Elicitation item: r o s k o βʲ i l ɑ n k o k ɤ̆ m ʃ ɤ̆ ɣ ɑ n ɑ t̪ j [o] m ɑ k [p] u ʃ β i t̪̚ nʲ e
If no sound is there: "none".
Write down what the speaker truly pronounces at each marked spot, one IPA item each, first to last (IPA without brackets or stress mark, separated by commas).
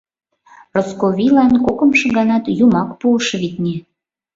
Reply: u, p